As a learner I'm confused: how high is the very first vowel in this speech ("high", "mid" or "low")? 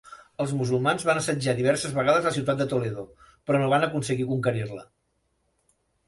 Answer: mid